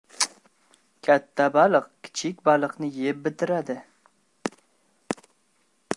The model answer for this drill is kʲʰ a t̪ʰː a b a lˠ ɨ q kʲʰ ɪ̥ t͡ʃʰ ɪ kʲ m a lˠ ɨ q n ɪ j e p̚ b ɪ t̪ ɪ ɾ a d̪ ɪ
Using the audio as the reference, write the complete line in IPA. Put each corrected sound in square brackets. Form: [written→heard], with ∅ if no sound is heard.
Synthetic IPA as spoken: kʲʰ a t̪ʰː a b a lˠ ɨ q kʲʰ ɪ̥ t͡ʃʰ ɪ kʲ [m→b] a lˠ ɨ q n ɪ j e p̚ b ɪ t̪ ɪ ɾ a d̪ ɪ